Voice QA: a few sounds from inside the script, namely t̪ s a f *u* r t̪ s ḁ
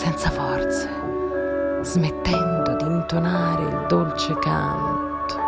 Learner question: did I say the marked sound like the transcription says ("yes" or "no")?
no